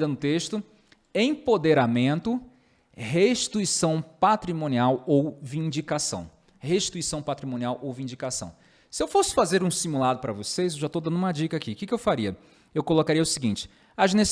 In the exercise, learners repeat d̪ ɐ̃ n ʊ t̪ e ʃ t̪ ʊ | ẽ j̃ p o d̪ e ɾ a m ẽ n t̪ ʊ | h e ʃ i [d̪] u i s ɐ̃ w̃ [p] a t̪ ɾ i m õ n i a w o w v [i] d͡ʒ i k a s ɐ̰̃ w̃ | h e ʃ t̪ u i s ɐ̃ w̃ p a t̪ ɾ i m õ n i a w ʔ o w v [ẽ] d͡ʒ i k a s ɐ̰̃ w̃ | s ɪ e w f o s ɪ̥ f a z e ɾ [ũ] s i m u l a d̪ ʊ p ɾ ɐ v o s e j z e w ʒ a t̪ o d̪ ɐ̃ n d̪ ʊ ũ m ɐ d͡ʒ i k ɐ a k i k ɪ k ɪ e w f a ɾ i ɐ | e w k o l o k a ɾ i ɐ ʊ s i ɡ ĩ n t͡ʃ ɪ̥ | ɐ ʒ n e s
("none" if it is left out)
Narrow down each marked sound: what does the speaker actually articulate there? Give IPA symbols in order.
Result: t̪, p, ĩ, ĩ, ũ

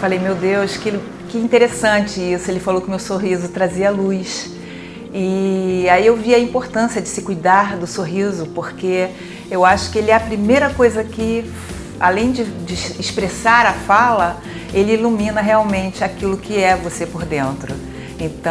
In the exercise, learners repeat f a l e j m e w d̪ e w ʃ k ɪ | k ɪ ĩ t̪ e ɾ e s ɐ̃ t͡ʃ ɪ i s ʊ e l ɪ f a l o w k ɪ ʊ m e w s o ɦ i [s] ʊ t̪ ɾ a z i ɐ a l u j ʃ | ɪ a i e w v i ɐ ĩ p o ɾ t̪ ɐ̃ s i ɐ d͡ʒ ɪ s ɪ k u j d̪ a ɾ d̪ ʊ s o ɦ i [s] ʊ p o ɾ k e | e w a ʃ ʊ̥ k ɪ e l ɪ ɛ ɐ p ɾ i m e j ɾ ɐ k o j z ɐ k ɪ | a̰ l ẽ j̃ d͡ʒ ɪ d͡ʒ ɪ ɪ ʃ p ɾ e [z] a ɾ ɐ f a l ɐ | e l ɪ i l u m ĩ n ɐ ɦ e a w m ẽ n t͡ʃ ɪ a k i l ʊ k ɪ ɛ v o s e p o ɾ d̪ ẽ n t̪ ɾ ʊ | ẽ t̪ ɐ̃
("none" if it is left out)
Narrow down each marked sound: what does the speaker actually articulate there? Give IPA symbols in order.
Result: z, z, s

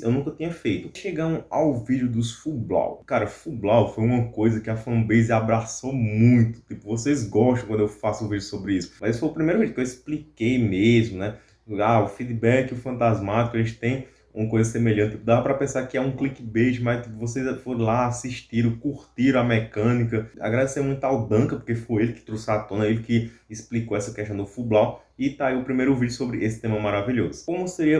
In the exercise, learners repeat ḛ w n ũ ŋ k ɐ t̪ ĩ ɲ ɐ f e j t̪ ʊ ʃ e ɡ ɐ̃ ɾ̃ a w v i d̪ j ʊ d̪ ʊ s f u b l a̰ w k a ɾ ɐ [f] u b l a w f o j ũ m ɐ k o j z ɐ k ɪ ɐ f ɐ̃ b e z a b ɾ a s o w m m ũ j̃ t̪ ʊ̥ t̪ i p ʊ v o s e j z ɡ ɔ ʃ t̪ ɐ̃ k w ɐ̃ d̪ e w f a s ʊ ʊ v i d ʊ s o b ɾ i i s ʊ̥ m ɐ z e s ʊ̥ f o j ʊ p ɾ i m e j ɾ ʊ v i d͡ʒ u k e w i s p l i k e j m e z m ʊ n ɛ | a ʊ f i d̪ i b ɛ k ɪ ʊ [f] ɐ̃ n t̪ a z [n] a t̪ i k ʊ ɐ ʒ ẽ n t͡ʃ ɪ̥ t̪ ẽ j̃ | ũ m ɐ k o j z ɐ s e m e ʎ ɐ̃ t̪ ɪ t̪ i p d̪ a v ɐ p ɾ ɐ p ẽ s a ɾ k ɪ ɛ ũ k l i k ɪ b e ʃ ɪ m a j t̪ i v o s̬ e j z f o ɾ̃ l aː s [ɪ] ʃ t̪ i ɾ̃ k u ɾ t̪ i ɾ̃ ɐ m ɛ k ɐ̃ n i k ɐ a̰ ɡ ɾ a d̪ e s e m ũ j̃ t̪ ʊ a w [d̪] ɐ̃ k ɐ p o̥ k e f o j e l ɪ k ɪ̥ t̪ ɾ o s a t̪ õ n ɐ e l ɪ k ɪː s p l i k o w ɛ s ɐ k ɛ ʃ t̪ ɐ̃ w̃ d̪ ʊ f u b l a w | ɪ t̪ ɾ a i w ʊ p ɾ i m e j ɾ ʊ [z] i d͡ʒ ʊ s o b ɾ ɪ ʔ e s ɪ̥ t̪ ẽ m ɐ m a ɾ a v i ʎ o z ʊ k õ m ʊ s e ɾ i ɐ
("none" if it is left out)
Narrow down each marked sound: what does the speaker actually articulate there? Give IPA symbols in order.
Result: f, f, m, i, d̪, v

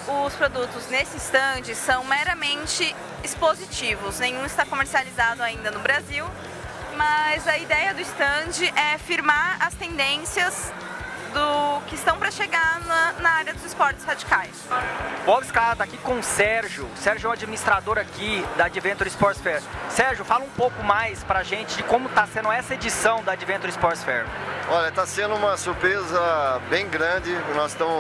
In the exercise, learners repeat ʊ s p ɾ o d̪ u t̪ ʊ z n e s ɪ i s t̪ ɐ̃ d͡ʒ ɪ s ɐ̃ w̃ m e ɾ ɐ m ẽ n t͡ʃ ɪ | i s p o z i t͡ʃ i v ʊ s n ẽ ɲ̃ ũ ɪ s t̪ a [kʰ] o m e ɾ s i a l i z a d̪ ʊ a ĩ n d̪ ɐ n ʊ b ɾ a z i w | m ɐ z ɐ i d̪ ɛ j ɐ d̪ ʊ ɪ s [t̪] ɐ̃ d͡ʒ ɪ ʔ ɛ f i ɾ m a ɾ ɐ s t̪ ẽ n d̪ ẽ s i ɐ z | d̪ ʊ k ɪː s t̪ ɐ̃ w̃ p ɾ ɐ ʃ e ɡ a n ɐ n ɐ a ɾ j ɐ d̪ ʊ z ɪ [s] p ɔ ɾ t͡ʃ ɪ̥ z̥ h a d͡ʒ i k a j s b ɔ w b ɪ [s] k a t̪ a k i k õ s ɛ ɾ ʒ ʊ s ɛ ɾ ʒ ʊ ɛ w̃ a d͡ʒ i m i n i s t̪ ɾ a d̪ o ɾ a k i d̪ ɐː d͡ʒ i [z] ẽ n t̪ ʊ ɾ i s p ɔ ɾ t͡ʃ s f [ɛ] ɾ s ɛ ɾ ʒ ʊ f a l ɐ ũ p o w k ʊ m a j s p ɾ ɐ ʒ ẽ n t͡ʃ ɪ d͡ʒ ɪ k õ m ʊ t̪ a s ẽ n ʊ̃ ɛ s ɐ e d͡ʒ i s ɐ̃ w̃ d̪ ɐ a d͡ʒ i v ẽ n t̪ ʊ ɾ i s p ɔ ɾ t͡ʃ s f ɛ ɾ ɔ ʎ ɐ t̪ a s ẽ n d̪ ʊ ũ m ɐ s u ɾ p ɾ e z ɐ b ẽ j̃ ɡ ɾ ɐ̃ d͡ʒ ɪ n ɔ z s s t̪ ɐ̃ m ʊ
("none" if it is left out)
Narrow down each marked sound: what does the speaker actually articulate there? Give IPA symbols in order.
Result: k, t̪, s, s, v, ɛ

